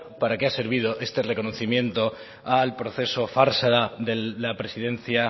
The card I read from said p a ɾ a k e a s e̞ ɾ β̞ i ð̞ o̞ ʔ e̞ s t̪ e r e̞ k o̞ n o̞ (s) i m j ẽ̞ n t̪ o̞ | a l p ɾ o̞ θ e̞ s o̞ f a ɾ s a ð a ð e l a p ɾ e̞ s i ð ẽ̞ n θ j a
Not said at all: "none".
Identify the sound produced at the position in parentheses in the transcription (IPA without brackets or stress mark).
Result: θ